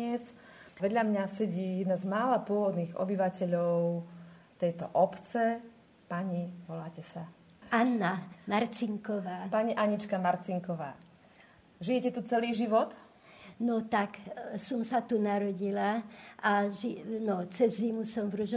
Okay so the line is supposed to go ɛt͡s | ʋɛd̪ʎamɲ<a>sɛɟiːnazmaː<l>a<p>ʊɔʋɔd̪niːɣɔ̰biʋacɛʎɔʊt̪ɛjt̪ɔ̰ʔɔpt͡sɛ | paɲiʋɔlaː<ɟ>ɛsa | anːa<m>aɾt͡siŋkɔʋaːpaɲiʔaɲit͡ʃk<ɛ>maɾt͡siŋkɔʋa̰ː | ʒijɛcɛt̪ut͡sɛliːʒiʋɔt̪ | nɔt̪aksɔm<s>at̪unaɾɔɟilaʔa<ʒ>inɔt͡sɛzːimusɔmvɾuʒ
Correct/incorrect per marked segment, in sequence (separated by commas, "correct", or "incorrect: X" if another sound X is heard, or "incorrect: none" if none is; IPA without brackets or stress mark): correct, correct, correct, incorrect: c, correct, incorrect: a, correct, correct